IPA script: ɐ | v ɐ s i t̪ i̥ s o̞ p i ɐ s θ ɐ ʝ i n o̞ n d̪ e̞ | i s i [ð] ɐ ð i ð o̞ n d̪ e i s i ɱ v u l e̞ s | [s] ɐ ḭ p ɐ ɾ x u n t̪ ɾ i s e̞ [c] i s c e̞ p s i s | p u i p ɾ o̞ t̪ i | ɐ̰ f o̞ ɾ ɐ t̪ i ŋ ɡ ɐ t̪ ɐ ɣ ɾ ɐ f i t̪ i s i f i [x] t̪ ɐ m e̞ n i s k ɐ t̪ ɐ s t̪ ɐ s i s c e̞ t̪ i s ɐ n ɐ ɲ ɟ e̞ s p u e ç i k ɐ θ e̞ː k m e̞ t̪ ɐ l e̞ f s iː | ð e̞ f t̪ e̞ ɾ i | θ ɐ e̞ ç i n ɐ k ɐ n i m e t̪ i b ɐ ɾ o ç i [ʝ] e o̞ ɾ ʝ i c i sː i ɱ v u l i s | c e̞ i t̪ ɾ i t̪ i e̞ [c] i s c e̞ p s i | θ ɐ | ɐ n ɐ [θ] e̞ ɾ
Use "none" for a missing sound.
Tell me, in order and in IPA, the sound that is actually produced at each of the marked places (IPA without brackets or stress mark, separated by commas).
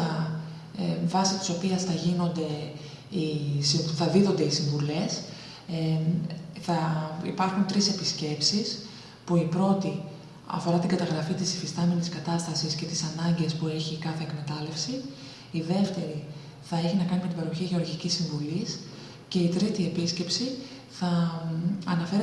θ, θ, p, s, ʝ, p, f